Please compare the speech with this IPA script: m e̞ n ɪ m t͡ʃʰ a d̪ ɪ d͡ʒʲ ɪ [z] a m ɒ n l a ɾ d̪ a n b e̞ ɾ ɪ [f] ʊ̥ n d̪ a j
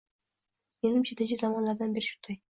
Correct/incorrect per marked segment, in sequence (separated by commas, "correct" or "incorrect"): correct, incorrect